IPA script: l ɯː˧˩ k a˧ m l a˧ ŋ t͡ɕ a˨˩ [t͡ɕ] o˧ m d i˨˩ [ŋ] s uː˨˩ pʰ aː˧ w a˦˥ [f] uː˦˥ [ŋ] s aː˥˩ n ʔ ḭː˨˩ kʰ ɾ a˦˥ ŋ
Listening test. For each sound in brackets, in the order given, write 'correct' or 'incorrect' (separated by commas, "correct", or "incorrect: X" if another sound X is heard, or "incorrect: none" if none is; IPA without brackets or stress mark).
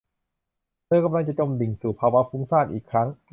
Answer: correct, correct, correct, correct